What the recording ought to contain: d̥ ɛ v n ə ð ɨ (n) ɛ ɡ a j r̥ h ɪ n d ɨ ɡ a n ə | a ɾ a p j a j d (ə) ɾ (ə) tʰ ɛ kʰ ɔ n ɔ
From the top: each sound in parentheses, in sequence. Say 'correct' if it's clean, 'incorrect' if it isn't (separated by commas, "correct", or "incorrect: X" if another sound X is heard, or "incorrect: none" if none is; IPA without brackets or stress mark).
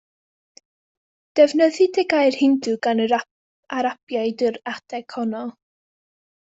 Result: incorrect: d, correct, incorrect: a